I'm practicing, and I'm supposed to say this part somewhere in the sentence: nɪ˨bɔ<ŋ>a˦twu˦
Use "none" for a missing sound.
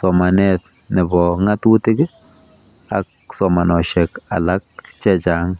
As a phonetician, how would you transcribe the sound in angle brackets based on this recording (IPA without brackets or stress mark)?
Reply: ŋ